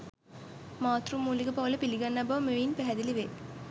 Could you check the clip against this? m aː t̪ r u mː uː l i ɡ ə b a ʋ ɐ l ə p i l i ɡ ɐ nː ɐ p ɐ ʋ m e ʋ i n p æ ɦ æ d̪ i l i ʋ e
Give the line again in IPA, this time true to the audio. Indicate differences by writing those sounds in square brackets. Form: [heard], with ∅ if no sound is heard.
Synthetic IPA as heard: m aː t̪ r u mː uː l i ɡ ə [p] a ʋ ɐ l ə p i l i ɡ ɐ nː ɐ [b] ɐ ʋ m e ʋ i n p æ ɦ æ d̪ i l i ʋ e